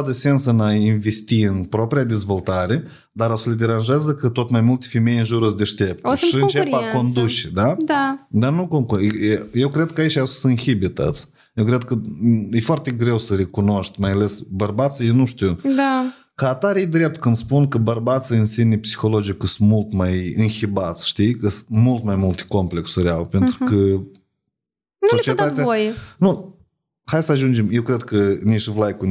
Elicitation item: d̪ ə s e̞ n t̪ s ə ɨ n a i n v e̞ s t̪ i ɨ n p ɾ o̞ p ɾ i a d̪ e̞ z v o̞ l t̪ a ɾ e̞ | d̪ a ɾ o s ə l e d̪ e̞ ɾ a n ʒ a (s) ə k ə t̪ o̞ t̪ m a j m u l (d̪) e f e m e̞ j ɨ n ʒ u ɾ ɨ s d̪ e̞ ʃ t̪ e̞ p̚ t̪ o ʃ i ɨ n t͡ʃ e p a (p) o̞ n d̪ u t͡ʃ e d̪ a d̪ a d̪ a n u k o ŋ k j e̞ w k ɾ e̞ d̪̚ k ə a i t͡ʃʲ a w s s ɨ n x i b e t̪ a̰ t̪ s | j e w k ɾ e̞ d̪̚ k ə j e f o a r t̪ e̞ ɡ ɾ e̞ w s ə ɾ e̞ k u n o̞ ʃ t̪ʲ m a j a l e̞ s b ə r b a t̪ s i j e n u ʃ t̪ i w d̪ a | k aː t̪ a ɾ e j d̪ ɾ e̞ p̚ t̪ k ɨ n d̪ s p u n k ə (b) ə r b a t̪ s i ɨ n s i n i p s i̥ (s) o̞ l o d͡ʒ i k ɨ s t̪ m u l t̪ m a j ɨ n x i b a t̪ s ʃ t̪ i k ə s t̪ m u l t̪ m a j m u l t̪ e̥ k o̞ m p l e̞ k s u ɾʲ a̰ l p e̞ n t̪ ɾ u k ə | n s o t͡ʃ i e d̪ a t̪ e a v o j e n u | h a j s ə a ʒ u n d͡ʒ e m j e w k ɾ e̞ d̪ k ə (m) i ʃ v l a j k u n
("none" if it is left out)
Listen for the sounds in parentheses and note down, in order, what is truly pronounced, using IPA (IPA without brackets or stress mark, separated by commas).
z, t̪, k, b, x, n